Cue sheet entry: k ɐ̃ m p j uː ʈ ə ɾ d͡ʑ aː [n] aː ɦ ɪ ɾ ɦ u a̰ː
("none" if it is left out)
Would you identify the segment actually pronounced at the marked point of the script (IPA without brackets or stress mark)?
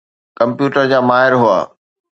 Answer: m